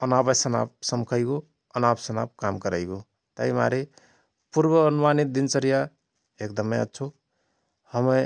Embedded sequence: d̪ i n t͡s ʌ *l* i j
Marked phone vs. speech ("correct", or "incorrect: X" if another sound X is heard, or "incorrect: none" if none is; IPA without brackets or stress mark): incorrect: ɾ